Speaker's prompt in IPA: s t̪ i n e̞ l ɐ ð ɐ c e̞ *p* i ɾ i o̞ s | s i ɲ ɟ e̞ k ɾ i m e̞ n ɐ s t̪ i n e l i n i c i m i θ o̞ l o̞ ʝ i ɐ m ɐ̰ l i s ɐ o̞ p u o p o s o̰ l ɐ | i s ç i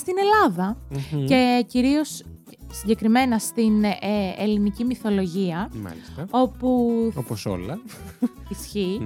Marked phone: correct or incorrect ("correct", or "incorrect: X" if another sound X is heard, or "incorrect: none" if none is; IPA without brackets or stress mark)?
incorrect: c